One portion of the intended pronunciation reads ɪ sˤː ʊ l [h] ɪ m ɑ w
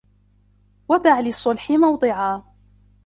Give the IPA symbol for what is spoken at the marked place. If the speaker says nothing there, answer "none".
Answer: ħ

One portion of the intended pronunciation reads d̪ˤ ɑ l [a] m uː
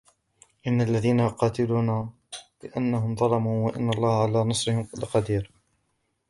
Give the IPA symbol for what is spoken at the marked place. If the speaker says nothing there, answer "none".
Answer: ɑ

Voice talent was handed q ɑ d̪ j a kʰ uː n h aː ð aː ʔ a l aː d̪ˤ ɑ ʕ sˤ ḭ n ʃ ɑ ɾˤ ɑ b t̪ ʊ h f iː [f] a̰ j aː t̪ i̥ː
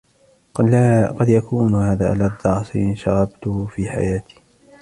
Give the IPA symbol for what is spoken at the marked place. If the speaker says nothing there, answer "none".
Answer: ħ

